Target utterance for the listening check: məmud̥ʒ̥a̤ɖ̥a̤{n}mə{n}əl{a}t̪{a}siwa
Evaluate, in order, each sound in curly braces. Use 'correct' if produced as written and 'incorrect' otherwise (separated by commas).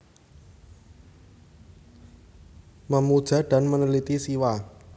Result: correct, correct, incorrect, incorrect